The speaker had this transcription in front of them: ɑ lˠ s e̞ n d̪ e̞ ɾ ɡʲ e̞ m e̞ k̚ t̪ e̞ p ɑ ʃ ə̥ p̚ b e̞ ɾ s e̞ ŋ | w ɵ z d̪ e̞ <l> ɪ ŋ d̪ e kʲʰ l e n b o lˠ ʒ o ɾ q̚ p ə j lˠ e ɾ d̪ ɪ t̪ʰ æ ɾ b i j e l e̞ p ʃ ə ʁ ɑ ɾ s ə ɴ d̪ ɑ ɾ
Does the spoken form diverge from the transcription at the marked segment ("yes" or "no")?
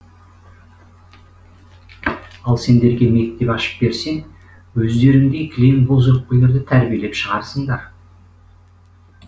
yes